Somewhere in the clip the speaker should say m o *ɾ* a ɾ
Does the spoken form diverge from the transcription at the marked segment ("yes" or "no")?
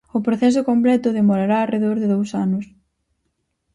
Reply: no